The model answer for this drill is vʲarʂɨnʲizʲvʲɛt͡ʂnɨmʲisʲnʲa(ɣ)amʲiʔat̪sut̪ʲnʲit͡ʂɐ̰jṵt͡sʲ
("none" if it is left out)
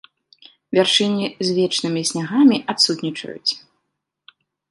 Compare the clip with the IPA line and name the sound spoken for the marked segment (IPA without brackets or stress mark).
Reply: ɣ